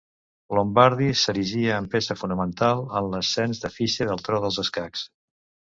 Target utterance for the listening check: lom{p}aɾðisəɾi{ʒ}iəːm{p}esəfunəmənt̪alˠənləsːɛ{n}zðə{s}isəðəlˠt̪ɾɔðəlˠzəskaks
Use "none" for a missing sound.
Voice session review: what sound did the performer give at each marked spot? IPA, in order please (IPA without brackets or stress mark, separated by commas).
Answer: b, ʒ, p, n, f